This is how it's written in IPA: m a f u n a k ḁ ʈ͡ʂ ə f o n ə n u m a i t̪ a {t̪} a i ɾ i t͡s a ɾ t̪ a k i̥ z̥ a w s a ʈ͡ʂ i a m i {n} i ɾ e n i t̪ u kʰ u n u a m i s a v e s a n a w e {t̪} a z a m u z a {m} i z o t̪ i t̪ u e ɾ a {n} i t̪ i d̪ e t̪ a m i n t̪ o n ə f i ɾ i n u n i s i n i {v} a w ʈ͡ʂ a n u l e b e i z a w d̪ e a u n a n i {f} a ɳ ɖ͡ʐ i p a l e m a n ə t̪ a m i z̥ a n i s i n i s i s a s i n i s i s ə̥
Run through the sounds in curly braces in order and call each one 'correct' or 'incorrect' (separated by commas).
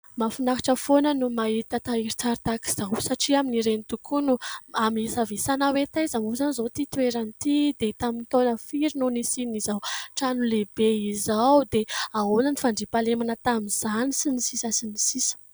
correct, correct, correct, incorrect, correct, incorrect, correct